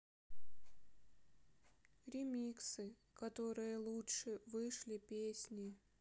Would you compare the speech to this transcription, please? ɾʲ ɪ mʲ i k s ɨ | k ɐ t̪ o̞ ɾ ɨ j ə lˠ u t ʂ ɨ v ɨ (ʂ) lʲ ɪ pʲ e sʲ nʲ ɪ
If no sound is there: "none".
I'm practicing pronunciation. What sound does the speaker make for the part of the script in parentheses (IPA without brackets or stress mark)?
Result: ʂ